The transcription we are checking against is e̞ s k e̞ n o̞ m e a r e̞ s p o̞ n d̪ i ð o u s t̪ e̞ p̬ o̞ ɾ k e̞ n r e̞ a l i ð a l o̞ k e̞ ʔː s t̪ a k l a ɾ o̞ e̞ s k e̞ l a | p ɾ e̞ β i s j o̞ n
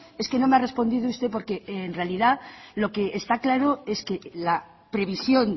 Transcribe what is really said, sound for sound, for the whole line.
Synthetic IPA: e̞ s k e̞ n o̞ m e a r e̞ s p o̞ n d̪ i ð o u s t̪ e̞ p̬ o̞ ɾ k e̞ n r e̞ a l i ð a l o̞ k e̞ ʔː s t̪ a k l a ɾ o̞ e̞ s k e̞ l a | p ɾ e̞ β i s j o̞ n